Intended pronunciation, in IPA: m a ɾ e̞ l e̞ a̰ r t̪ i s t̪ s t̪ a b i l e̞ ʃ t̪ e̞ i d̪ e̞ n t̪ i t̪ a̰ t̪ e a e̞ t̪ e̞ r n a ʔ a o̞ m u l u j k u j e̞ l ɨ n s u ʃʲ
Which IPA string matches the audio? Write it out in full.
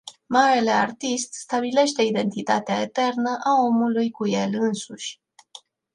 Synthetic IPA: m a ɾ e̞ l e̞ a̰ r t̪ i s t̪ s t̪ a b i l e̞ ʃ t̪ e̞ i d̪ e̞ n t̪ i t̪ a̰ t̪ e a e̞ t̪ e̞ r n ə ʔ a o̞ m u l u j k u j e̞ l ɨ n s u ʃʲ

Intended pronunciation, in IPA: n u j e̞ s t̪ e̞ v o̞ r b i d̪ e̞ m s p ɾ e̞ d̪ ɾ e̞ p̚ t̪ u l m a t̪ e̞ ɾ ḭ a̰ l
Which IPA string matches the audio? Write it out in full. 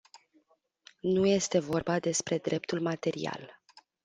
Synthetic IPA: n u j e̞ s t̪ e̞ v o̞ r b a d̪ e̞ s p ɾ e̞ d̪ ɾ e̞ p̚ t̪ u l m a t̪ e̞ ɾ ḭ a̰ l

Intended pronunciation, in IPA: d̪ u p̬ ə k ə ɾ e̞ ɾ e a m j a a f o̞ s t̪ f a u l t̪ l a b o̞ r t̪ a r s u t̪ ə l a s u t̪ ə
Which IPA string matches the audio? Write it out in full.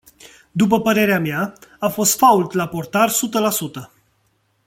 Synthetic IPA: d̪ u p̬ ə p ə ɾ e̞ ɾ e a m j a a f o̞ s t̪ f a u l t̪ l a p o̞ r t̪ a r s u t̪ ə l a s u t̪ ə

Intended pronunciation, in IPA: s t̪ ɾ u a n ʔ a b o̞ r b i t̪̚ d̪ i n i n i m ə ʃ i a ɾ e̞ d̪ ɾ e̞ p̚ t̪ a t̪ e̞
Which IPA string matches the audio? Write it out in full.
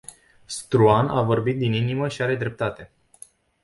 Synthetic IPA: s t̪ ɾ u a n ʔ a v o̞ r b i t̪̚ d̪ i n i n i m ə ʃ i a ɾ e̞ d̪ ɾ e̞ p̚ t̪ a t̪ e̞

